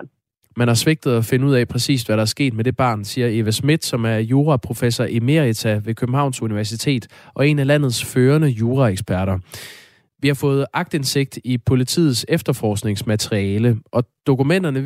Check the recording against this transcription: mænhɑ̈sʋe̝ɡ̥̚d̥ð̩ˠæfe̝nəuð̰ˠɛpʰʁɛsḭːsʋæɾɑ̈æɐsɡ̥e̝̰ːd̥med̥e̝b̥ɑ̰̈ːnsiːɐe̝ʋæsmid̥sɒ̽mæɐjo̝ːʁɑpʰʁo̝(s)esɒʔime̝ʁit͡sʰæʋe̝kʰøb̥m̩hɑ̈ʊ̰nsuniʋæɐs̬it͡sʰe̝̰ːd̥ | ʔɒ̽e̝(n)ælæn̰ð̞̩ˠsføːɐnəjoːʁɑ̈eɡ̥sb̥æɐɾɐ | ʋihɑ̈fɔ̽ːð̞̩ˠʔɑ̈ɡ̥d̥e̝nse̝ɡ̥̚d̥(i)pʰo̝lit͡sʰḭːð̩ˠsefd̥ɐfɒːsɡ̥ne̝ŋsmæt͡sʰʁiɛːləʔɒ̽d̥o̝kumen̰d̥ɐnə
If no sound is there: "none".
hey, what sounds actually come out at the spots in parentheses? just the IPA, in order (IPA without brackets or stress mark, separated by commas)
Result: f, n, i